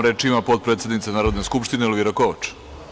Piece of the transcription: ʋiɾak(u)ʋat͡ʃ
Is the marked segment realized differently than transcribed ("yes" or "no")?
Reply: yes